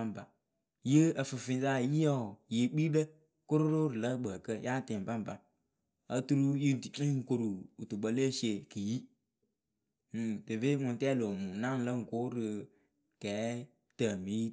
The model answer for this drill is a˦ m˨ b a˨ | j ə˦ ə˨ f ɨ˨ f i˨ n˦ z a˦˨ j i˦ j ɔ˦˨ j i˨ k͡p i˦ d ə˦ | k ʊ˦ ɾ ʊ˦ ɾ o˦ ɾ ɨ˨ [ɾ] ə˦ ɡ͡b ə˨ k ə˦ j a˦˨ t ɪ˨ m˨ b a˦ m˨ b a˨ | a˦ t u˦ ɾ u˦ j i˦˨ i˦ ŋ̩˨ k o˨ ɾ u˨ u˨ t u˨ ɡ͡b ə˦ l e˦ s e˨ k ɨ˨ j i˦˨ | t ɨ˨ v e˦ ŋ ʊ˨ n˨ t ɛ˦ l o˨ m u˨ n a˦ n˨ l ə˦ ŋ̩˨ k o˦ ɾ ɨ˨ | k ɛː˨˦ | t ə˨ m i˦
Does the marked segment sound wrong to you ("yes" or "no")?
yes